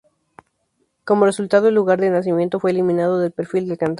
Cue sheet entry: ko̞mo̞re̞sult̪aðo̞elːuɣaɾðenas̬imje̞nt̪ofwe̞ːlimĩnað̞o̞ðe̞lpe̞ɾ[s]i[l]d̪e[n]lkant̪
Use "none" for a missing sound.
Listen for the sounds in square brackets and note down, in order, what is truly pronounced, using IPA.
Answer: f, l, none

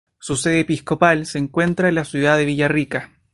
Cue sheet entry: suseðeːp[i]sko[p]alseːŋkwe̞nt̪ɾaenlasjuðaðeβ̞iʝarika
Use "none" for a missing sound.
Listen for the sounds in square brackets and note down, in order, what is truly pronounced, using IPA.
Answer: i, p

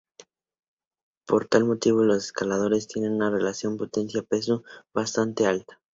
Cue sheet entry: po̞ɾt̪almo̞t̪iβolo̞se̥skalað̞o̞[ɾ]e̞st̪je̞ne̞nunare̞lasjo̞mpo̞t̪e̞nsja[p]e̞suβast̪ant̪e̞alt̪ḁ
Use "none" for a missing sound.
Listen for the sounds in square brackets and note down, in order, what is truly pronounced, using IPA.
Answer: ɾ, p

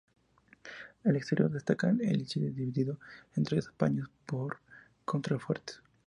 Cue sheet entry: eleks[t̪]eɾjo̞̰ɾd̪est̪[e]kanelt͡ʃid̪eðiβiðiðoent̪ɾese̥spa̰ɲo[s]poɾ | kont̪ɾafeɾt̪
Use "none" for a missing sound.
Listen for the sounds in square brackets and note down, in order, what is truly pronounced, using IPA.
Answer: t̪, a, s

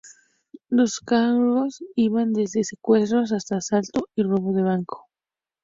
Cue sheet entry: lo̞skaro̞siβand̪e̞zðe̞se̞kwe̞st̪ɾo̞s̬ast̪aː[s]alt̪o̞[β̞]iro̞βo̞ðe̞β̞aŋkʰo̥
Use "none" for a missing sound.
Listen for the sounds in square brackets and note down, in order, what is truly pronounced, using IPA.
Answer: s, none

